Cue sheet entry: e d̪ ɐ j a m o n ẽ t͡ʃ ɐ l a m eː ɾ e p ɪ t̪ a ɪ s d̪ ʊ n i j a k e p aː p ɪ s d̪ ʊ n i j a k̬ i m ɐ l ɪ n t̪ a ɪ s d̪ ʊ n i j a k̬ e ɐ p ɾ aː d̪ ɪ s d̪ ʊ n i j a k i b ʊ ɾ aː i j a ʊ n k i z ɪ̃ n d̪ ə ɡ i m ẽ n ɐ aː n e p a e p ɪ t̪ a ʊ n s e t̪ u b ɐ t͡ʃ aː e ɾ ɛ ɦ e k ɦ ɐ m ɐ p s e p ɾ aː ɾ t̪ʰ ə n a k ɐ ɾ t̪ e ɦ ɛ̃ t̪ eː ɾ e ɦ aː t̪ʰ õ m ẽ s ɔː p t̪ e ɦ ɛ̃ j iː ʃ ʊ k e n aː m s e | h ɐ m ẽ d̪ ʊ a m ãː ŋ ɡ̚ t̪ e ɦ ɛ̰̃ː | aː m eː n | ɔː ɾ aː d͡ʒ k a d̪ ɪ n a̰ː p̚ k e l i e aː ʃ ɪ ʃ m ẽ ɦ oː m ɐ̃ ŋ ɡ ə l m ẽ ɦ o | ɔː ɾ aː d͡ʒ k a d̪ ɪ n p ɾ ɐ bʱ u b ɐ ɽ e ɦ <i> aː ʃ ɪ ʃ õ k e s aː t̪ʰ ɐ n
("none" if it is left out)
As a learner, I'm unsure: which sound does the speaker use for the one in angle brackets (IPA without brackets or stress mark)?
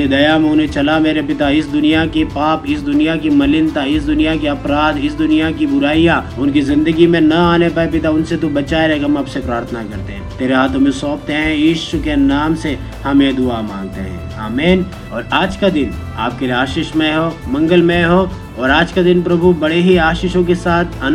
i